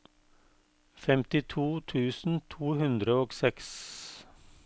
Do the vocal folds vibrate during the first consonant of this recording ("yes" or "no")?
no